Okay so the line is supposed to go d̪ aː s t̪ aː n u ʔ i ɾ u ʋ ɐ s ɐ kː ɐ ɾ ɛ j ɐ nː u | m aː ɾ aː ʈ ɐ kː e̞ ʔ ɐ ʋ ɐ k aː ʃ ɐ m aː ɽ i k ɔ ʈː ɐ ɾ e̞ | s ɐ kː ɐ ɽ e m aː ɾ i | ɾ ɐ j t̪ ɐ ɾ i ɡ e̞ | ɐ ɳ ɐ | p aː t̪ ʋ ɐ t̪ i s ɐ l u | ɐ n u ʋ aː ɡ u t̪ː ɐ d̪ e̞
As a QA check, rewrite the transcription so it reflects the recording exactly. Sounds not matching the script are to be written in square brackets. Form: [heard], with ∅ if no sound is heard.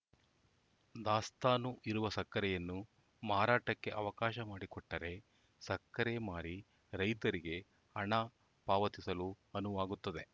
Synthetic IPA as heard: d̪ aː s t̪ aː n u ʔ i ɾ u ʋ ɐ s ɐ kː ɐ ɾ ɛ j ɐ nː u | m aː ɾ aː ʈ ɐ kː e̞ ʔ ɐ ʋ ɐ k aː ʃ ɐ m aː ɽ i k ɔ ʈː ɐ ɾ e̞ | s ɐ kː ɐ [ɾ] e m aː ɾ i | ɾ ɐ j t̪ ɐ ɾ i ɡ e̞ | ɐ ɳ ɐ | p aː [∅] ʋ ɐ t̪ i s ɐ l u | ɐ n u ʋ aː ɡ u t̪ː ɐ d̪ e̞

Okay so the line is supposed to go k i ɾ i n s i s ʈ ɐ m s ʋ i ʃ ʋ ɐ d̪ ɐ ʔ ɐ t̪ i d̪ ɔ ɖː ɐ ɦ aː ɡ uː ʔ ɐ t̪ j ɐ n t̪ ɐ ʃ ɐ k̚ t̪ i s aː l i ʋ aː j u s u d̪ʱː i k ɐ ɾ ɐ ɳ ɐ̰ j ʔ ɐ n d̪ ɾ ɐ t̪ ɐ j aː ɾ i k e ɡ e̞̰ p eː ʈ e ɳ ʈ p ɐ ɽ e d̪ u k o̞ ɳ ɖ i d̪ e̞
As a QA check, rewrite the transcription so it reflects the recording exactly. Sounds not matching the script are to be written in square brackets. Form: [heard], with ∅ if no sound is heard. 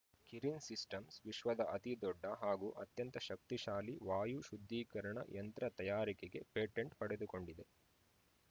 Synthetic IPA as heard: k i ɾ i n s i s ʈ ɐ m s ʋ i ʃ ʋ ɐ d̪ ɐ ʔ ɐ t̪ i d̪ ɔ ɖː ɐ ɦ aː ɡ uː ʔ ɐ t̪ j ɐ n t̪ ɐ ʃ ɐ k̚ t̪ i [ʃ] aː l i ʋ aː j u [ʃ] u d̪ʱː [iː] k ɐ ɾ ɐ ɳ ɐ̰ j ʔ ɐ n [t̪] ɾ ɐ t̪ ɐ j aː ɾ i k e ɡ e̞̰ p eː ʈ e ɳ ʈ p ɐ ɽ e d̪ u k o̞ ɳ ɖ i d̪ e̞

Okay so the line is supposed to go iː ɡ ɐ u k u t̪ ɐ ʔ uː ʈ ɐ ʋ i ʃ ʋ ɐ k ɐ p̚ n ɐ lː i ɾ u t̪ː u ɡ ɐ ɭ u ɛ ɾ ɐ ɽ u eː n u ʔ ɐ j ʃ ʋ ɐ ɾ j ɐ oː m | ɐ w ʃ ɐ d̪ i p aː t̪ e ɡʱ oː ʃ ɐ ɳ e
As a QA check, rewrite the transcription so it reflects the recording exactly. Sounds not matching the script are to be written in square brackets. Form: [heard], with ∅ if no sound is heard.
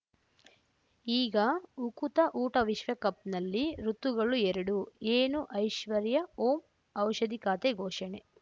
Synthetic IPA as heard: iː ɡ ɐ u k u t̪ ɐ ʔ uː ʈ ɐ ʋ i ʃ ʋ ɐ k ɐ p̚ n ɐ lː i ɾ u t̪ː u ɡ ɐ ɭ u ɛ ɾ ɐ ɽ u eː n u ʔ ɐ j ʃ ʋ ɐ ɾ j ɐ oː m | ɐ w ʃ ɐ d̪ i [k] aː t̪ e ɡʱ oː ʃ ɐ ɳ e

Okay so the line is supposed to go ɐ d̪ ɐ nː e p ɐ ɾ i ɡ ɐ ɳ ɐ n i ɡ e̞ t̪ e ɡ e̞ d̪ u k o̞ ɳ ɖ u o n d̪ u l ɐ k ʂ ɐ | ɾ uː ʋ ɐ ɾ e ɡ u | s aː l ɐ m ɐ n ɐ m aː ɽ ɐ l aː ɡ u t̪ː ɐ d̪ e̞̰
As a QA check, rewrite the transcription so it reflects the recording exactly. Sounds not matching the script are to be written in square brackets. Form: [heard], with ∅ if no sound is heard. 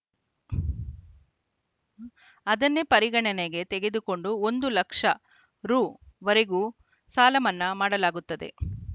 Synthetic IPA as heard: ɐ d̪ ɐ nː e p ɐ ɾ i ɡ ɐ ɳ ɐ n [e] ɡ e̞ t̪ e ɡ e̞ d̪ u k o̞ ɳ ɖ u o n d̪ u l ɐ k ʂ ɐ | ɾ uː ʋ ɐ ɾ e ɡ u | s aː l ɐ m ɐ [nː] ɐ m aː ɽ ɐ l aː ɡ u t̪ː ɐ d̪ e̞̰

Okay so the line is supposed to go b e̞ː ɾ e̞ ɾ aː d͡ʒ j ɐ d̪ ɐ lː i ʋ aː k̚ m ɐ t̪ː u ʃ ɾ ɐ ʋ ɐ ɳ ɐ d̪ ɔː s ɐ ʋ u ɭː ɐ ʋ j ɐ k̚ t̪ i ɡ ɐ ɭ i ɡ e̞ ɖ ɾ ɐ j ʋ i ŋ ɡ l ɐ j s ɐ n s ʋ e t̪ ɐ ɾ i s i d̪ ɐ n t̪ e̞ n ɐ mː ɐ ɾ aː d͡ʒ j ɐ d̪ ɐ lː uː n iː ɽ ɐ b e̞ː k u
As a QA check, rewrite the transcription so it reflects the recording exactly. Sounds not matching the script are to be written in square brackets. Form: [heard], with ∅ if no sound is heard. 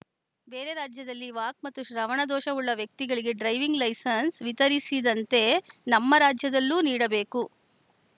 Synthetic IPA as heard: b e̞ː ɾ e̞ ɾ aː d͡ʒ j ɐ d̪ ɐ lː i ʋ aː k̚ m ɐ t̪ː u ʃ ɾ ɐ ʋ ɐ ɳ ɐ d̪ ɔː [ʃ] ɐ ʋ u ɭː ɐ ʋ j ɐ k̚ t̪ i ɡ ɐ ɭ i ɡ e̞ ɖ ɾ ɐ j ʋ i ŋ ɡ l ɐ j s ɐ n s ʋ [i] t̪ ɐ ɾ i s i d̪ ɐ n t̪ e̞ n ɐ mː ɐ ɾ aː d͡ʒ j ɐ d̪ ɐ lː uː n iː ɽ ɐ b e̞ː k u

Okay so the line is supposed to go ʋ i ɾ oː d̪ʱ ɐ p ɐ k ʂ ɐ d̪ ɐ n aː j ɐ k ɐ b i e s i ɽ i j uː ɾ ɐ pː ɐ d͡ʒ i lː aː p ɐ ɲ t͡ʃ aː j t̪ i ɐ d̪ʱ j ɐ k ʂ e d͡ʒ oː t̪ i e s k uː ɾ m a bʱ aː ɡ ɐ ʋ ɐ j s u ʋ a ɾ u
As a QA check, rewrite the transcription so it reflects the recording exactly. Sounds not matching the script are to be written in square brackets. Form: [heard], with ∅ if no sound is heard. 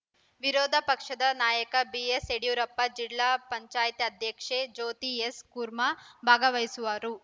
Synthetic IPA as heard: ʋ i ɾ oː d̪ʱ ɐ p ɐ k ʂ ɐ d̪ ɐ n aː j ɐ k ɐ b i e s [e] ɽ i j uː ɾ ɐ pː ɐ d͡ʒ i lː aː p ɐ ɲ t͡ʃ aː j t̪ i ɐ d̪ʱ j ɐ k ʂ e d͡ʒ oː t̪ i e s k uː ɾ m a bʱ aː ɡ ɐ ʋ ɐ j s u ʋ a ɾ u

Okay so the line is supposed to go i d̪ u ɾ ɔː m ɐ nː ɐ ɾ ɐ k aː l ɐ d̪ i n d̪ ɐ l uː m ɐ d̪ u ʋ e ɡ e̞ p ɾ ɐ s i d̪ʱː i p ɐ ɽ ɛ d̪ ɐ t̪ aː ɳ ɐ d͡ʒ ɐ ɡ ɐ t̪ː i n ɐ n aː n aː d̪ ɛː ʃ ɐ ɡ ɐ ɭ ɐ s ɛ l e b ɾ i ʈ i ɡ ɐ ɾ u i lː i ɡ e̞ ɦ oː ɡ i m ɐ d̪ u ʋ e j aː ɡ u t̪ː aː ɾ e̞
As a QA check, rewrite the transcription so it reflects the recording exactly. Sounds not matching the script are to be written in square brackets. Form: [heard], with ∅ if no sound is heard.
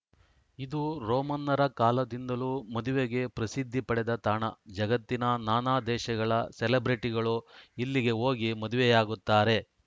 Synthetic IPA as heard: i d̪ u ɾ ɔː m ɐ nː ɐ ɾ ɐ k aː l ɐ d̪ i n d̪ ɐ l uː m ɐ d̪ u ʋ e ɡ e̞ p ɾ ɐ s i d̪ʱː i p ɐ ɽ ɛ d̪ ɐ t̪ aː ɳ ɐ d͡ʒ ɐ ɡ ɐ t̪ː i n ɐ n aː n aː d̪ ɛː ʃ ɐ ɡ ɐ ɭ ɐ s ɛ l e b ɾ i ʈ i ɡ ɐ [ɭ] u i lː i ɡ e̞ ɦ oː ɡ i m ɐ d̪ u ʋ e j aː ɡ u t̪ː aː ɾ e̞

